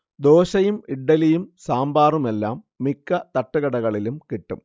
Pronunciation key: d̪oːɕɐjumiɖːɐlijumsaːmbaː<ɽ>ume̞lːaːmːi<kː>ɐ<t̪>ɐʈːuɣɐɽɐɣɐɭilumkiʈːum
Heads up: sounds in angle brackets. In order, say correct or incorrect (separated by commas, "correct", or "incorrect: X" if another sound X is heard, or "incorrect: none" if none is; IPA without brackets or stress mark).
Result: incorrect: r, correct, correct